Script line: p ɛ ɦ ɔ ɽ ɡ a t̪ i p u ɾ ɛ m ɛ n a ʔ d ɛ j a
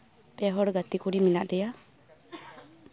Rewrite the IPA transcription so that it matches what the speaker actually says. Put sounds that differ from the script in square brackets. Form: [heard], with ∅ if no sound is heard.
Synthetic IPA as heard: p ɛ ɦ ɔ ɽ ɡ a t̪ i [k] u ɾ [i] m [i] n a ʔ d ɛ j a